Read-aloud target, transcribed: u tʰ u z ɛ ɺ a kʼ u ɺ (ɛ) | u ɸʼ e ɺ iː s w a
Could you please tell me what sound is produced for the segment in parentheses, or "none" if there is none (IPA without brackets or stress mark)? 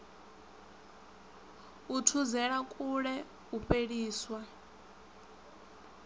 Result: ɛ